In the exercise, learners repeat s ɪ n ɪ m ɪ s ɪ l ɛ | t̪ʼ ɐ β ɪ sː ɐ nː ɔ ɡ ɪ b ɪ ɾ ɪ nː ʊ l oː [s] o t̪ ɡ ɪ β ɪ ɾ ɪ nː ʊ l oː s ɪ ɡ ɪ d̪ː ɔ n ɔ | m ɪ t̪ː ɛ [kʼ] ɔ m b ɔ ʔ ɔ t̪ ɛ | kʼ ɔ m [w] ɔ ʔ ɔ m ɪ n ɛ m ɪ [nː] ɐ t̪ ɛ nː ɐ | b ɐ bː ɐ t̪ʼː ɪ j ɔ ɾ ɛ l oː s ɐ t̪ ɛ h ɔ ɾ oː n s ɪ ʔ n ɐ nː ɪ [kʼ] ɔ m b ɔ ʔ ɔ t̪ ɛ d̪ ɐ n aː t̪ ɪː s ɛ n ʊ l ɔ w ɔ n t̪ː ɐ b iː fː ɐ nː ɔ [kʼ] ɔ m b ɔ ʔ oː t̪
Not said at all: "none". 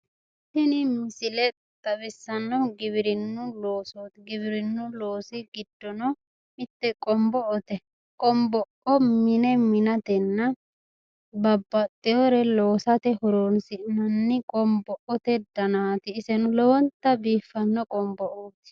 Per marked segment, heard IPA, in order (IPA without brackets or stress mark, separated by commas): s, kʼ, b, n, kʼ, kʼ